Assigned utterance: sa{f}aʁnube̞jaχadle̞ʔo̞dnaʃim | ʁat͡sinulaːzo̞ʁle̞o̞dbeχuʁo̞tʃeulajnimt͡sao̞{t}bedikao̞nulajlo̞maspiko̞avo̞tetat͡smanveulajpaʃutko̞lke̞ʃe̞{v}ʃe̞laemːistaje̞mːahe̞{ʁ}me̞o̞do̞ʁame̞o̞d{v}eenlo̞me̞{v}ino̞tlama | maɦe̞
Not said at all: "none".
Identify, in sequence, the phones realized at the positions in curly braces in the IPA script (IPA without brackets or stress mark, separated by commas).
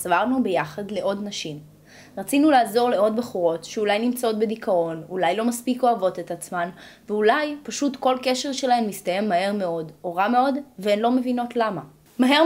v, t, ʁ, ʁ, v, v